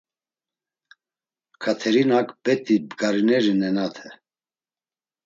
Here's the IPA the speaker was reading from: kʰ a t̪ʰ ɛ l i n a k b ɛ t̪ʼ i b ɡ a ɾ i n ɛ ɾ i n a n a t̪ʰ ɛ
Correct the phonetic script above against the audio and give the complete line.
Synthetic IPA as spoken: kʰ a t̪ʰ ɛ ɾ i n a k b ɛ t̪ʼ i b ɡ a ɾ i n ɛ ɾ i n ɛ n a t̪ʰ ɛ